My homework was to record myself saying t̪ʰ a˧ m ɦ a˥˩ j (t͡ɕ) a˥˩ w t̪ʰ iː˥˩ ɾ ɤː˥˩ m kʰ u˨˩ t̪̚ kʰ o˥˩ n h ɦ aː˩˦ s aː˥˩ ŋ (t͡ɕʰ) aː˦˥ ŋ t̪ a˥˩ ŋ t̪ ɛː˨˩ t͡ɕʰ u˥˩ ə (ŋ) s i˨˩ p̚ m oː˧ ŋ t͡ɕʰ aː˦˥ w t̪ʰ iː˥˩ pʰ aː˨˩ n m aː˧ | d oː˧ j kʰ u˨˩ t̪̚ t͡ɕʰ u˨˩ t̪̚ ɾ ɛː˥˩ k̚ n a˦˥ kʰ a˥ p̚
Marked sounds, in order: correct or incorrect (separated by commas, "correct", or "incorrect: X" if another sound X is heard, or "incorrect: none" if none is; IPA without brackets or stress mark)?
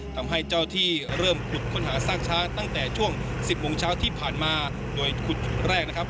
correct, correct, correct